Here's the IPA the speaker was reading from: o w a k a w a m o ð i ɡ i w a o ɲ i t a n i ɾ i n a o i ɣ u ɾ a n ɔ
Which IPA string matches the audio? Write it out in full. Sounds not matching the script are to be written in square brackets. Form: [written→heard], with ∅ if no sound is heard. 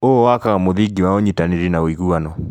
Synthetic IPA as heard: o w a k a [w→ɣ] a m o ð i ɡ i w a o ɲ i t a n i ɾ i n a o i ɣ u [ɾ→∅] a n ɔ